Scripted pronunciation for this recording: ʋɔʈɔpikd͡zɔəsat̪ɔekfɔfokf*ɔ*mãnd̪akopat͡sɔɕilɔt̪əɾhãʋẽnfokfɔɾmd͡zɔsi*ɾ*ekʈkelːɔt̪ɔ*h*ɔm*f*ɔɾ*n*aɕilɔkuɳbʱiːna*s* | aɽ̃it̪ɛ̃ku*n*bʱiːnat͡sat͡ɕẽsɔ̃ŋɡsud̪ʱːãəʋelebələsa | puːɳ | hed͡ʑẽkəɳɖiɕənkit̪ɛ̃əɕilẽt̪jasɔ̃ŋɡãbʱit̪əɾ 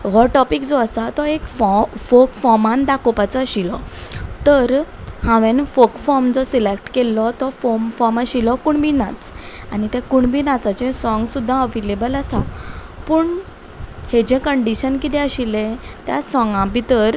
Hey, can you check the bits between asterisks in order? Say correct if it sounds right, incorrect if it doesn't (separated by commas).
correct, incorrect, incorrect, correct, incorrect, incorrect, incorrect